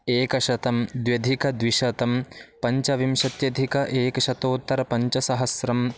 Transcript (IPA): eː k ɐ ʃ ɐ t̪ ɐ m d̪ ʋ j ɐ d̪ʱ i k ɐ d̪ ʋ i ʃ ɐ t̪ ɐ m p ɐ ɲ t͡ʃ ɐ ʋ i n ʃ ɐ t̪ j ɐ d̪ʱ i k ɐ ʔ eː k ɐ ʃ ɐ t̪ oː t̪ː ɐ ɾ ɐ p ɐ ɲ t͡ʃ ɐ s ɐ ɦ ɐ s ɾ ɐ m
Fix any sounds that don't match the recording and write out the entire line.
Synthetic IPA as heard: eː k ɐ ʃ ɐ t̪ ɐ m d̪ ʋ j ɐ d̪ʱ i k ɐ d̪ ʋ i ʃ ɐ t̪ ɐ m p ɐ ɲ t͡ʃ ɐ ʋ i m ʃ ɐ t̪ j ɐ d̪ʱ i k ɐ ʔ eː k ɐ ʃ ɐ t̪ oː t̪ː ɐ ɾ ɐ p ɐ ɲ t͡ʃ ɐ s ɐ ɦ ɐ s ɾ ɐ m